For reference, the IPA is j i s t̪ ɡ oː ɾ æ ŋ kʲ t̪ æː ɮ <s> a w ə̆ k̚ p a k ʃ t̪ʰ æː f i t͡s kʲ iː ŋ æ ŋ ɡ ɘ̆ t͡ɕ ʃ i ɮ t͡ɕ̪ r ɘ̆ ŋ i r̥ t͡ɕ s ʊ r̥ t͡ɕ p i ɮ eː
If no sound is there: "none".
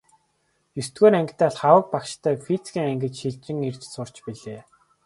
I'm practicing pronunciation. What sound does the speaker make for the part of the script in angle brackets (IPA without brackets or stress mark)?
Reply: χ